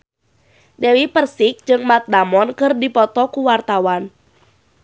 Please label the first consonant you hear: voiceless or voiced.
voiced